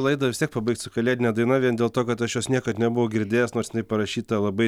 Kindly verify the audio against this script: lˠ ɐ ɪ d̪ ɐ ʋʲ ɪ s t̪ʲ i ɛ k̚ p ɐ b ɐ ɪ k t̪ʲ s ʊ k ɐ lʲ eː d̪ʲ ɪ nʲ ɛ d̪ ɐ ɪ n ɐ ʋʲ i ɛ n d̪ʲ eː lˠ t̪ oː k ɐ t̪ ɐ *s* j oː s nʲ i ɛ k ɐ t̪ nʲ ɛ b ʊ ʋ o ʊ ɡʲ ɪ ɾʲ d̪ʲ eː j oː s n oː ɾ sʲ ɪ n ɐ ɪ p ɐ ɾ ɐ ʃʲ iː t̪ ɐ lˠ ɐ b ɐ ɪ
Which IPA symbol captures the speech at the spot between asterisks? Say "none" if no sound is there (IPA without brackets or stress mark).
ʃ